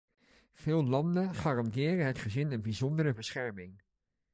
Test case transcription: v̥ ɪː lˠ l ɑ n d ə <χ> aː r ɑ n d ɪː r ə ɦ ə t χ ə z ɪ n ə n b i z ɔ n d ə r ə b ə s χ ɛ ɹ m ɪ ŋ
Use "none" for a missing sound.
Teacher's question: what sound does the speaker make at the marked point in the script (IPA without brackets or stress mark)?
χ